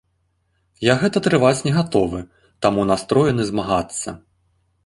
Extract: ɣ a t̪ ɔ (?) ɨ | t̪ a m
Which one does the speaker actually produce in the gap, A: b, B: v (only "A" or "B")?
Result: B